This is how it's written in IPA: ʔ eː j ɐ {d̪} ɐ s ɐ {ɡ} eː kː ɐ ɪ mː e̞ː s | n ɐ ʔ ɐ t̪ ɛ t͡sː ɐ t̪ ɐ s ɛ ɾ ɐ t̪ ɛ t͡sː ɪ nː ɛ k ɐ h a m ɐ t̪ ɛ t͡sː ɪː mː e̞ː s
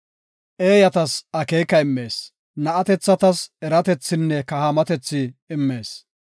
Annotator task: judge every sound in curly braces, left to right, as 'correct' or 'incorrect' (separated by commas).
incorrect, incorrect